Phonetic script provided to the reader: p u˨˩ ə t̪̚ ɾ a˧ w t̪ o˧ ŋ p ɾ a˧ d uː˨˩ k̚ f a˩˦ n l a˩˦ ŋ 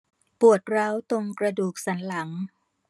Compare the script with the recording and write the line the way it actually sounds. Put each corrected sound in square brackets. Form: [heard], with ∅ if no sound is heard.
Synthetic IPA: p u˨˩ ə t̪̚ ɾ [a˦˥] w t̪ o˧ ŋ [k] ɾ a˧ d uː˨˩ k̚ [s] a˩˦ n l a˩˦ ŋ

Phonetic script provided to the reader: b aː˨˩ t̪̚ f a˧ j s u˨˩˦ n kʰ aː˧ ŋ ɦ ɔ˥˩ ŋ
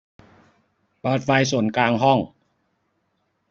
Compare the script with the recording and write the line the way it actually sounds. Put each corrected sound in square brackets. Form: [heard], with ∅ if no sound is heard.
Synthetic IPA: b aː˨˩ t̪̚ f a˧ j s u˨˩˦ n [k] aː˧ ŋ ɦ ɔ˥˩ ŋ

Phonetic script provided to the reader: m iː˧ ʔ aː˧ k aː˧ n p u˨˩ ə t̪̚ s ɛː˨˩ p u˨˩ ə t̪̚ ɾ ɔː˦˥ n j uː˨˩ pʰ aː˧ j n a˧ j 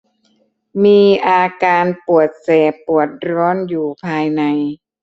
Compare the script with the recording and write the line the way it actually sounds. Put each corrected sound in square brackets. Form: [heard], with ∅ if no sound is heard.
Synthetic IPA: m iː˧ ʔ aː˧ k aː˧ n p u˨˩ ə t̪̚ s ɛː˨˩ p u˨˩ ə t̪̚ ɾ ɔː˦˥ n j uː˨˩ pʰ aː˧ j n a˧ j

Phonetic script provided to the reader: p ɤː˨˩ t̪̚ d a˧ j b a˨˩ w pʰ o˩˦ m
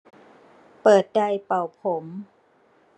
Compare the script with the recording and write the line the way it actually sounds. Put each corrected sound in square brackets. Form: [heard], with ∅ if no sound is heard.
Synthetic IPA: p ɤː˨˩ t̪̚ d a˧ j [p] a˨˩ w pʰ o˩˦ m

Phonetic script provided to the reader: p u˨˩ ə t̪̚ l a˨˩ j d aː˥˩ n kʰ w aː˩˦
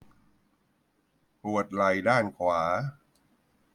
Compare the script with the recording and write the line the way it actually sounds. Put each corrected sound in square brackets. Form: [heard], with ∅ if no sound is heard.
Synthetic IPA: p u˨˩ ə t̪̚ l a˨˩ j d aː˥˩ n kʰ w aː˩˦

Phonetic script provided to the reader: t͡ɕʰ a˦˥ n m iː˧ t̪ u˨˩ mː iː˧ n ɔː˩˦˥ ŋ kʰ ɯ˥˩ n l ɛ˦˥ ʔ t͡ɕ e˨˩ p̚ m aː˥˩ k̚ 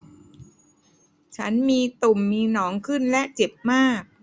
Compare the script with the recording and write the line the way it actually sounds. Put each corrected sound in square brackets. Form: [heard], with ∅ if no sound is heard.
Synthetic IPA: t͡ɕʰ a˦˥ n m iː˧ t̪ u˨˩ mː iː˧ n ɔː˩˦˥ ŋ kʰ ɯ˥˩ n l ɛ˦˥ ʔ t͡ɕ e˨˩ p̚ m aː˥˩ k̚

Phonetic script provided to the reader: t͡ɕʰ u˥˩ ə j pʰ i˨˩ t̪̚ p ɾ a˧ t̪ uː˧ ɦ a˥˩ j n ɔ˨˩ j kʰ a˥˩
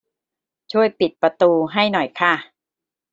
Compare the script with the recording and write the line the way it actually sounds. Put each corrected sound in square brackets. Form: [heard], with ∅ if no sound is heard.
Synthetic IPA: t͡ɕʰ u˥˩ ə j [p] i˨˩ t̪̚ p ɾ a˧ t̪ uː˧ ɦ a˥˩ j n ɔ˨˩ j kʰ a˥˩

